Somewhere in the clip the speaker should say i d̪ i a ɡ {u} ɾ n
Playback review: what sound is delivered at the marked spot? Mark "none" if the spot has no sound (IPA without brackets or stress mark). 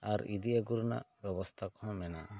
u